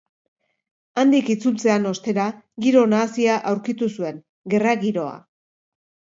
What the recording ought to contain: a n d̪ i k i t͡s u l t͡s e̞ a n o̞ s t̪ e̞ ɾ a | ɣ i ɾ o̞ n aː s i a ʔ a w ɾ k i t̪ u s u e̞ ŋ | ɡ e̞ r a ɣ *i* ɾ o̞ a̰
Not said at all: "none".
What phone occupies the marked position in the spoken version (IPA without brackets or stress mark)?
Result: i